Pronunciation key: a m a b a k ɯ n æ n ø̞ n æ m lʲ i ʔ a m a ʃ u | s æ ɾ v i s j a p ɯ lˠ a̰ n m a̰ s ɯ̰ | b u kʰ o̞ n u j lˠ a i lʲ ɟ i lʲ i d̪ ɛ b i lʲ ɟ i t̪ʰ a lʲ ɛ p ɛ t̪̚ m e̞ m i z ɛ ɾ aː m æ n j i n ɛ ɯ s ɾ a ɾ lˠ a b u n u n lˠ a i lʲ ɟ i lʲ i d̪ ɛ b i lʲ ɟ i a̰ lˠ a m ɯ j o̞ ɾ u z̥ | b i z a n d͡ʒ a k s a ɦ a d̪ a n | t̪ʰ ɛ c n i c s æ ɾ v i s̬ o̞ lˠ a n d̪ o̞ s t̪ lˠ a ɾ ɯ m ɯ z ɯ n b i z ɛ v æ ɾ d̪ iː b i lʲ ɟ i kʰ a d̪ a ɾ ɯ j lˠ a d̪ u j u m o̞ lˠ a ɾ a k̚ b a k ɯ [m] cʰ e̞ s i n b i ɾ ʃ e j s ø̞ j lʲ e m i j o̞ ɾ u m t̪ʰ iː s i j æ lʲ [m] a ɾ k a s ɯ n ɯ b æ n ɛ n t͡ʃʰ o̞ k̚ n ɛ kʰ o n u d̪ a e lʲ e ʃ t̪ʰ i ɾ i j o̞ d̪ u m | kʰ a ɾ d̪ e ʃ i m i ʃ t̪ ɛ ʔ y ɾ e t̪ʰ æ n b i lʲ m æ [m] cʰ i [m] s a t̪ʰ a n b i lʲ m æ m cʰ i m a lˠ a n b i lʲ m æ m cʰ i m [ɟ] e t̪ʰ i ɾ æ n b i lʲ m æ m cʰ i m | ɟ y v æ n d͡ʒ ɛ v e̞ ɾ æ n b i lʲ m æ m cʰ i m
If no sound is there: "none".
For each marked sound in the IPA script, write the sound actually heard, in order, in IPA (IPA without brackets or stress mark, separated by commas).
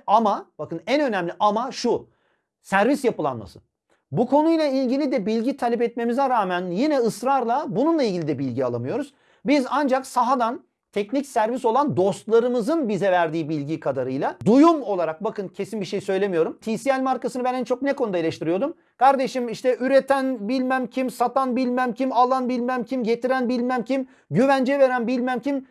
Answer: n, m, m, m, ɟ